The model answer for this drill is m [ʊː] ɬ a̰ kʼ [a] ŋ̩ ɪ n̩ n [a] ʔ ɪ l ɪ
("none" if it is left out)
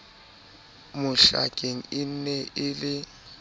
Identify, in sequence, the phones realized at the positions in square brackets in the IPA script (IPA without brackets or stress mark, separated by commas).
ʊ, e, ɛ